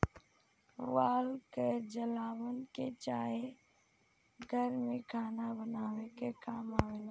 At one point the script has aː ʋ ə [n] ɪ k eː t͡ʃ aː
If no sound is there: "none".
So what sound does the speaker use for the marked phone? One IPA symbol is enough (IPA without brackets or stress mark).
n